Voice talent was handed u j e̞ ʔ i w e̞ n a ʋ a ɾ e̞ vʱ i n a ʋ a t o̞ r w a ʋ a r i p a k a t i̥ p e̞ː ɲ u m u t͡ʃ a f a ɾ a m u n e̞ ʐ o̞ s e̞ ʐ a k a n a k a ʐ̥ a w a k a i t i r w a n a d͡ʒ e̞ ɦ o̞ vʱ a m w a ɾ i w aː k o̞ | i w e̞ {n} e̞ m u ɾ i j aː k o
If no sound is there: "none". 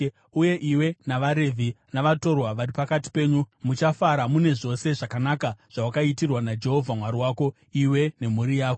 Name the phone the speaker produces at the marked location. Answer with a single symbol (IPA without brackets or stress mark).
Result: n